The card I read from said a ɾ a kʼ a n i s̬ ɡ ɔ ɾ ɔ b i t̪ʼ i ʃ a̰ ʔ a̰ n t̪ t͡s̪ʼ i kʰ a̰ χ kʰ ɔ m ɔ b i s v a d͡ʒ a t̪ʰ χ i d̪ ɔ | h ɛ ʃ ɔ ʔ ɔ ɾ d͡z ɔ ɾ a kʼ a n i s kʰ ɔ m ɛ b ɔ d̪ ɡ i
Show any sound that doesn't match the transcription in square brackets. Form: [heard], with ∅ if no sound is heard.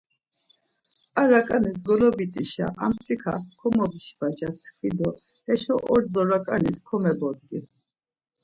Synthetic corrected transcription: a ɾ a kʼ a n i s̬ ɡ ɔ [l] ɔ b i t̪ʼ i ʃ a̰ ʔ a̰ [m] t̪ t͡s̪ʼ i kʰ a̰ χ kʰ ɔ m ɔ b i [ʃ] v a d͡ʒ a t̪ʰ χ i d̪ ɔ | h ɛ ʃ ɔ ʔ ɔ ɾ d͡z ɔ ɾ a kʼ a n i s kʰ ɔ m ɛ b ɔ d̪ ɡ i